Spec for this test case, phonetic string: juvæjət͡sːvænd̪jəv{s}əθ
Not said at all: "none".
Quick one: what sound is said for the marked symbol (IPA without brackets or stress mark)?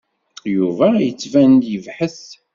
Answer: ħ